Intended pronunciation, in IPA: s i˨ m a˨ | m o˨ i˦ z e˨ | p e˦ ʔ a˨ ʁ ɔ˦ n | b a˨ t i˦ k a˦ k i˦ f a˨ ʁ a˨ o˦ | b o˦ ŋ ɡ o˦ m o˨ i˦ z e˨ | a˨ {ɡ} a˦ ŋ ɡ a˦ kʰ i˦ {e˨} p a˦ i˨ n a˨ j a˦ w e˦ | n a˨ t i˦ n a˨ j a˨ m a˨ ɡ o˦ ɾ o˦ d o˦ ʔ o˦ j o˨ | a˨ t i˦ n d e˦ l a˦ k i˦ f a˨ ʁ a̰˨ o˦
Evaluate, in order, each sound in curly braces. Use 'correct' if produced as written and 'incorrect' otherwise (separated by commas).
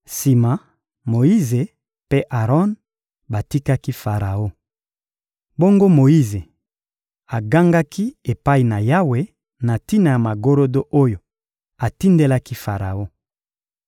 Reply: correct, correct